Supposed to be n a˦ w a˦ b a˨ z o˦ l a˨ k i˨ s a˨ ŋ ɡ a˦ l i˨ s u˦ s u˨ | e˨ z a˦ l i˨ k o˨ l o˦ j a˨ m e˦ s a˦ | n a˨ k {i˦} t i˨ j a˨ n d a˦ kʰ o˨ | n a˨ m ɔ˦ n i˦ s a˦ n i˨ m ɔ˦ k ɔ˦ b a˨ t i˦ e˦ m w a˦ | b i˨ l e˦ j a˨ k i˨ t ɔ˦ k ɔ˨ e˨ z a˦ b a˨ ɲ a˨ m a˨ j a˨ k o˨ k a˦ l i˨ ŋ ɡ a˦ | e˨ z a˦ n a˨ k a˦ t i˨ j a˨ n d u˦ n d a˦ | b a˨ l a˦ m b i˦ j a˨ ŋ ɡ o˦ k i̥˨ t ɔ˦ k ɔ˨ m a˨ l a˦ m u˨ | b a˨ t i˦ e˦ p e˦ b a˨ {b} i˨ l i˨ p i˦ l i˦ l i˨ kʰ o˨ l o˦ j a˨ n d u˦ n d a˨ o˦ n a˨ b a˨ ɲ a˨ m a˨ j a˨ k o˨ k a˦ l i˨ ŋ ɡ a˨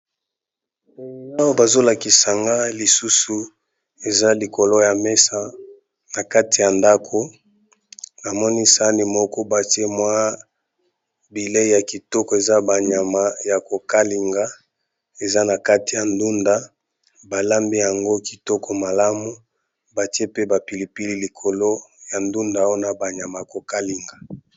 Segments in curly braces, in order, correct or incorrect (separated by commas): incorrect, incorrect